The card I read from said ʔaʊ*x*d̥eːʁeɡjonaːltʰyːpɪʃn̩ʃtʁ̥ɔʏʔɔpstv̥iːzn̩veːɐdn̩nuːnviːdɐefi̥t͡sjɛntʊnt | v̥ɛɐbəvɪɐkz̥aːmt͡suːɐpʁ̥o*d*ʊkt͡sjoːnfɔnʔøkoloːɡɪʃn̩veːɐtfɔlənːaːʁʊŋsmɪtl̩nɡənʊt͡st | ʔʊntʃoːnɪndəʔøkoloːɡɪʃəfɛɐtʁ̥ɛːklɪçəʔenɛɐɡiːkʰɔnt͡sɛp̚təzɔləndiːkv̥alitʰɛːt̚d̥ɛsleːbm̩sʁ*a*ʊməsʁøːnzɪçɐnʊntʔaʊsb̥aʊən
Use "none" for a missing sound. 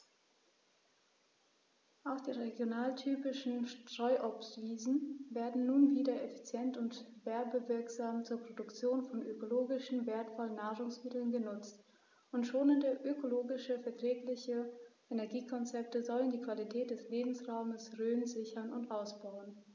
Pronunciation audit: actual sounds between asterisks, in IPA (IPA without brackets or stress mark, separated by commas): x, d, a